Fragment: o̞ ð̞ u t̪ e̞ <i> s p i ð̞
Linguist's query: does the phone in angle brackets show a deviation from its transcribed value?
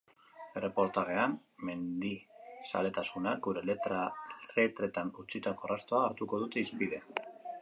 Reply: no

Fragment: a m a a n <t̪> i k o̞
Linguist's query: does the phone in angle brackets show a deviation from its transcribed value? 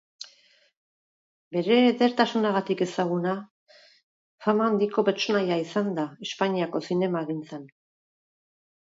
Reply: yes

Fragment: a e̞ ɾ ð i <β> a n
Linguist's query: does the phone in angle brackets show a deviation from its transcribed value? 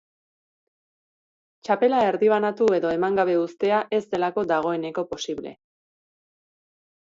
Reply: no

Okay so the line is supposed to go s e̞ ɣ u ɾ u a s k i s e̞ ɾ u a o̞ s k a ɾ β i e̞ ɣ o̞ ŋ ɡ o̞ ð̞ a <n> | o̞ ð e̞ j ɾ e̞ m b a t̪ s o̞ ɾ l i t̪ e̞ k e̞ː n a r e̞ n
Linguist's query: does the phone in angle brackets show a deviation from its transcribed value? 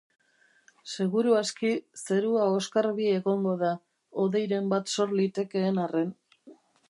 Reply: yes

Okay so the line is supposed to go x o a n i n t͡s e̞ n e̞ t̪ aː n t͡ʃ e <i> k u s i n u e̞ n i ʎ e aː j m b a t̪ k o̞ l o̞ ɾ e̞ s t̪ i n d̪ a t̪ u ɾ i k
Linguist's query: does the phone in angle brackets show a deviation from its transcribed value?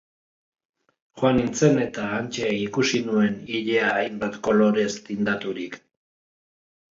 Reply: no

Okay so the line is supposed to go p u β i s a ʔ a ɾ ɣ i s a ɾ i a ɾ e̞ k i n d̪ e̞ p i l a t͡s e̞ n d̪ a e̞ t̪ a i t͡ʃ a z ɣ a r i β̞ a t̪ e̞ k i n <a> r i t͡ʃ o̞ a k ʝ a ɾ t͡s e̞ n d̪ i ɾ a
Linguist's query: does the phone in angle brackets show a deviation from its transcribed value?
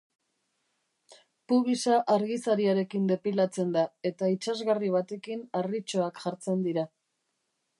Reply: no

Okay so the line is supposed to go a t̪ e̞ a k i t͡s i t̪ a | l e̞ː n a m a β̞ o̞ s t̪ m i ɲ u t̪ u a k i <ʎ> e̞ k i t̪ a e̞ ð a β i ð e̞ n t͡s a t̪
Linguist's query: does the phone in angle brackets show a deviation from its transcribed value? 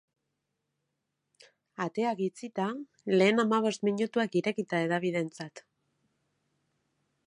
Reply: yes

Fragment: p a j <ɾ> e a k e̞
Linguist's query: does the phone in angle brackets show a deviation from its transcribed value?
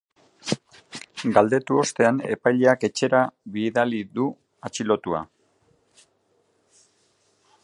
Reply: yes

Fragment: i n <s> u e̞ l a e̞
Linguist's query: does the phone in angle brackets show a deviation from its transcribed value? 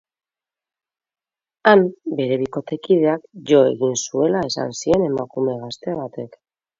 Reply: no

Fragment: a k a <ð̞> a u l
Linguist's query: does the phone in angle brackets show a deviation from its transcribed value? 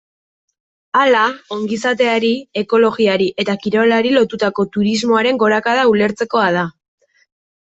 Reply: no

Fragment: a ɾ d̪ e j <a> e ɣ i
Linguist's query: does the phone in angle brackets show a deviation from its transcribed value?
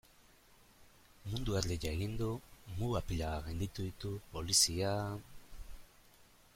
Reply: no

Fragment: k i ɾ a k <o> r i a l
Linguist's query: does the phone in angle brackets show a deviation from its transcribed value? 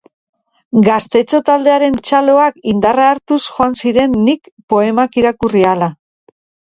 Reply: yes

